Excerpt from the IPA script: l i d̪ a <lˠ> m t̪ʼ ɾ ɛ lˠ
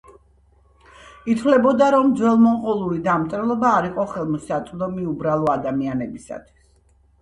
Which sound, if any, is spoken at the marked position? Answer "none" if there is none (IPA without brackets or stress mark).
none